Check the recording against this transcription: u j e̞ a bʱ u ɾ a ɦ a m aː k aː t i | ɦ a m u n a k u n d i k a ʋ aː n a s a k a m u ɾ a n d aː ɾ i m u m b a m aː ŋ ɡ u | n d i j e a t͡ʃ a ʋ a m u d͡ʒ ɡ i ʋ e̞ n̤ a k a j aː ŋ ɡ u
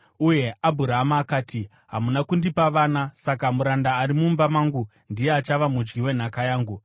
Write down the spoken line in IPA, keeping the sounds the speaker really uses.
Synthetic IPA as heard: u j e̞ a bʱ u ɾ a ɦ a m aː k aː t i | ɦ a m u n a k u n d i p a ʋ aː n a s a k a m u ɾ a n d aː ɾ i m u m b a m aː ŋ ɡ u | n d i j e a t͡ʃ a ʋ a m u d͡ʒ ɡ i w e̞ n̤ a k a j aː ŋ ɡ u